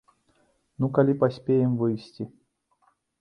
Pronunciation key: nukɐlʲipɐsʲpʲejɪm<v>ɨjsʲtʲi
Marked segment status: correct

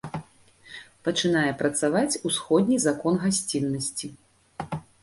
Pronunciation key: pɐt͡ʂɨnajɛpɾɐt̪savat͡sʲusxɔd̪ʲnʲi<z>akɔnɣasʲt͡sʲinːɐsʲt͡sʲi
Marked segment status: correct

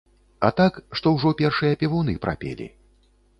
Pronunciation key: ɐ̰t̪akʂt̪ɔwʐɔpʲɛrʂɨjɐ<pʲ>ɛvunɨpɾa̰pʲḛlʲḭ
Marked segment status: correct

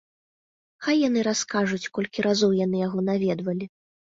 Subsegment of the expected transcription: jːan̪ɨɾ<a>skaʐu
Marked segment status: correct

